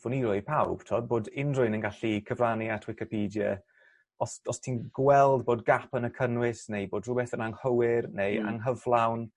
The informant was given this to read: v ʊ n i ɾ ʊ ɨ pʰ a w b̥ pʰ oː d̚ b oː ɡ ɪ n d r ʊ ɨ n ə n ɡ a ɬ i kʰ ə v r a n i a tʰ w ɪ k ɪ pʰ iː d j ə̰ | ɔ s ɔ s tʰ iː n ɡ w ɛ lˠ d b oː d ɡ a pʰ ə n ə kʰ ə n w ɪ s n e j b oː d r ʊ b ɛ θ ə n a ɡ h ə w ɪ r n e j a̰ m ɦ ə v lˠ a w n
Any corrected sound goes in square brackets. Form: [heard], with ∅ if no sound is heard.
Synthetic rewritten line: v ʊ n i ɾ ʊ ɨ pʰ a w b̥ [tʰ] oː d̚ b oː [d] ɪ n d r ʊ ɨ n ə n ɡ a ɬ i kʰ ə v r a n i a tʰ w ɪ k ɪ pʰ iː d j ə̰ | ɔ s ɔ s tʰ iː n ɡ w ɛ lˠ d b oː d ɡ a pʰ ə n ə kʰ ə n w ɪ s n e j b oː d r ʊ b ɛ θ ə n a [ŋ] h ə w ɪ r n e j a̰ [ŋ] ɦ ə v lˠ a w n